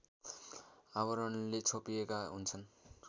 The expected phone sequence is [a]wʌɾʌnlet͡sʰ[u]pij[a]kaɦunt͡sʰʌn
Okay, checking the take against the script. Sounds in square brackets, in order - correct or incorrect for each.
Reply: correct, incorrect: o, incorrect: e

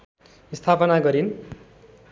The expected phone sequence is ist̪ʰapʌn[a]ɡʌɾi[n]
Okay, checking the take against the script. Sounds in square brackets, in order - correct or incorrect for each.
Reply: correct, correct

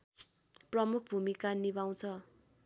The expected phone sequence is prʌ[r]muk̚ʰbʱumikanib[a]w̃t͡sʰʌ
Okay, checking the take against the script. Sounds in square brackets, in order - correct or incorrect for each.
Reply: incorrect: none, correct

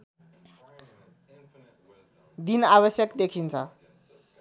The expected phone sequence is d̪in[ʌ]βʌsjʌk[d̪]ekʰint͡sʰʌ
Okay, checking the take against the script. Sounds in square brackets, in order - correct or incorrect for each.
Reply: incorrect: a, correct

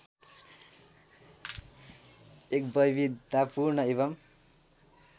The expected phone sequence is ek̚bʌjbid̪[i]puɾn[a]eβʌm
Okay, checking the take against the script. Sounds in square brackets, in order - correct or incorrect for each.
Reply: incorrect: a, incorrect: ʌ

